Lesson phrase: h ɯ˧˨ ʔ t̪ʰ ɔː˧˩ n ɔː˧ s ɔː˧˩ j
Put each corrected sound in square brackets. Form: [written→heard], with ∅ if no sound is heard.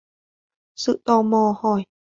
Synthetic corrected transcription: [h→s] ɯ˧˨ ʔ [t̪ʰ→t̪] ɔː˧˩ [n→m] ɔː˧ [s→h] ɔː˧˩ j